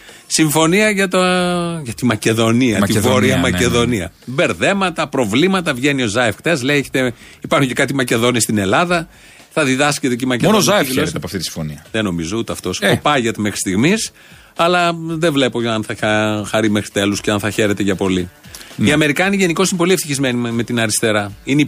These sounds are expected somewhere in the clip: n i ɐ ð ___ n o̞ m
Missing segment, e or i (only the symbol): e